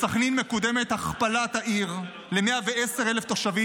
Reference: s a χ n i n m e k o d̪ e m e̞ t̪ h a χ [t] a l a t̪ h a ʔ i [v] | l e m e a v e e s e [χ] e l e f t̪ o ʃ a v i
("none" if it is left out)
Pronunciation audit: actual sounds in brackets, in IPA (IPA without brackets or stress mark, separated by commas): p, ʁ, ʁ